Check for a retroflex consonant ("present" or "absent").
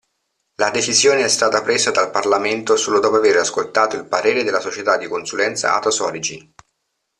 absent